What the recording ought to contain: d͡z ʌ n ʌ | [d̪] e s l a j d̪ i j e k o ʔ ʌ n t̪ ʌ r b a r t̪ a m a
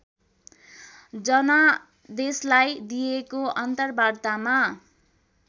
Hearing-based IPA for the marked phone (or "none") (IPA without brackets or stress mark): d̪